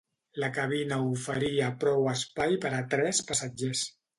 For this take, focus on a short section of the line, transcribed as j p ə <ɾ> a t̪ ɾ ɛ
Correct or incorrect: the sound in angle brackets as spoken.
correct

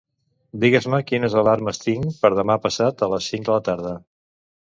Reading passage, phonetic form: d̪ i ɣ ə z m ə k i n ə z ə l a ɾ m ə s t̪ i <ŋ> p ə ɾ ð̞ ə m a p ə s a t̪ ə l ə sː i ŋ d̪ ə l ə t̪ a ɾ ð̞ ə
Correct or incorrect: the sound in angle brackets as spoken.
correct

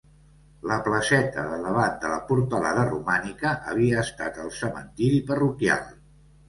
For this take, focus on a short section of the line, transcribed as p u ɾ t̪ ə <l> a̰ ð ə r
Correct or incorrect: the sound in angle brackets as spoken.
correct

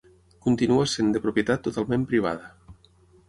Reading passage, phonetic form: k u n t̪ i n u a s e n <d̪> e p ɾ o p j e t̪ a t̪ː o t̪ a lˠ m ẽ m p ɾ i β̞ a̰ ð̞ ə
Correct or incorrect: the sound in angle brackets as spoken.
correct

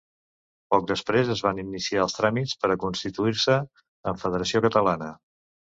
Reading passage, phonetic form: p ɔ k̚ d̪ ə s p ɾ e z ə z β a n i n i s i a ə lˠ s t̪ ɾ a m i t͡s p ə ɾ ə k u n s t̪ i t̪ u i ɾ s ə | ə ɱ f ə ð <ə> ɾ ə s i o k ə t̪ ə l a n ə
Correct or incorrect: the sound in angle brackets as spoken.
correct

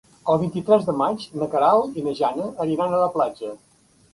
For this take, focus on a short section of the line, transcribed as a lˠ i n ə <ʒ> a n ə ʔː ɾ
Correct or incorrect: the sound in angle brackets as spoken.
correct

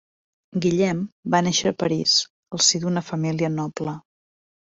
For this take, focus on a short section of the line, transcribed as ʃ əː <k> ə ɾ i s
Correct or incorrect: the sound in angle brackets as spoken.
incorrect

